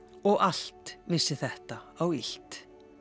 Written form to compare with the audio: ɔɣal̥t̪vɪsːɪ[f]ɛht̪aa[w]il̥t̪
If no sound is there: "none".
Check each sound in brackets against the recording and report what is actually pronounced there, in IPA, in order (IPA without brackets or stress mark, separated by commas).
θ, w